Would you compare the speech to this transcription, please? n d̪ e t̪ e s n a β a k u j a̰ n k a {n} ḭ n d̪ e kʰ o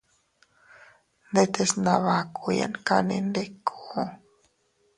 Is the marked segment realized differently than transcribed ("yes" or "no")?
no